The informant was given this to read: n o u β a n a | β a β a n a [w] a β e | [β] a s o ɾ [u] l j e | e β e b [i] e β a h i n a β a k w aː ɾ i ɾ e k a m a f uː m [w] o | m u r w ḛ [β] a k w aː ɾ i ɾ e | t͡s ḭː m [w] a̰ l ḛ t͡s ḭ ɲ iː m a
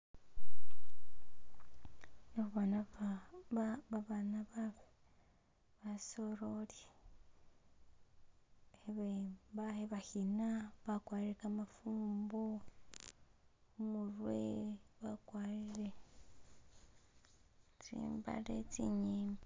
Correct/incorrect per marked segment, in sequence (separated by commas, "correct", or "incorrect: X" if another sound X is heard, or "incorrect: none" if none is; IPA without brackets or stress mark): incorrect: β, correct, incorrect: o, incorrect: a, incorrect: b, correct, incorrect: b